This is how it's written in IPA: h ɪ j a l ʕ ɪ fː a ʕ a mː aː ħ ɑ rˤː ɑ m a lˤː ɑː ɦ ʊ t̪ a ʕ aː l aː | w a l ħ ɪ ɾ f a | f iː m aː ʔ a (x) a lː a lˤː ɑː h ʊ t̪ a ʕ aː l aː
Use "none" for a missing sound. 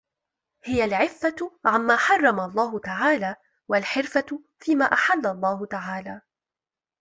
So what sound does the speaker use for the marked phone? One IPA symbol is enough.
ħ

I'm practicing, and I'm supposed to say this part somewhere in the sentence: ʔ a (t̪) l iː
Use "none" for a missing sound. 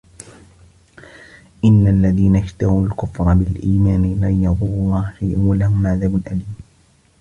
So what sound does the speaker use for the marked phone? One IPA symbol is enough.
none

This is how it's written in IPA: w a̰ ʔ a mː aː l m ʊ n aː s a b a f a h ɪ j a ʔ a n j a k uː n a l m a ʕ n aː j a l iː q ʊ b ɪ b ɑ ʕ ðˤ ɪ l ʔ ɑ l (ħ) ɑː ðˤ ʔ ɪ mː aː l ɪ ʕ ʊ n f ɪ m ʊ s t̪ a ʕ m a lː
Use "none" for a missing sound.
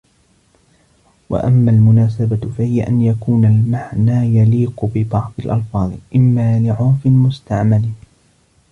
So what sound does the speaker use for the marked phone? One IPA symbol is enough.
f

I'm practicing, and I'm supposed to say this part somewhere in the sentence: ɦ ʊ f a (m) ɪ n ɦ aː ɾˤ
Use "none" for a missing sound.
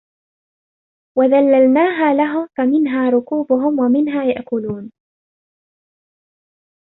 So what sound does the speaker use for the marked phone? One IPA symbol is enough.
m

